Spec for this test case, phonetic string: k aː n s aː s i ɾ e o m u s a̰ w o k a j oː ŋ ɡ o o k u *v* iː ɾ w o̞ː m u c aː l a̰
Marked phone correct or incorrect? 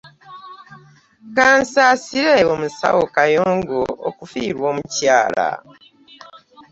incorrect